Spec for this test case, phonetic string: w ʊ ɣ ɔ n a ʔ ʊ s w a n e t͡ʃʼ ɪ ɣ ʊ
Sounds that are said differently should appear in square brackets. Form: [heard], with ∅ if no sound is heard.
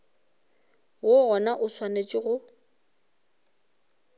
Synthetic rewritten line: w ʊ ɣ ɔ n a ʔ ʊ s w a n e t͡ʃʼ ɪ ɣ ʊ